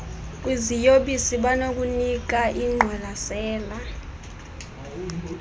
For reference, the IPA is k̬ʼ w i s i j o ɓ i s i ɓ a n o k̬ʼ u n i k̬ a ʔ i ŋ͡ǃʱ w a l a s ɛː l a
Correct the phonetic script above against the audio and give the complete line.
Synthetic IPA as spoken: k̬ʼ w i z i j o ɓ i s i ɓ a n o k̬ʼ u n i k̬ a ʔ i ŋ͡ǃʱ w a l a s ɛː l a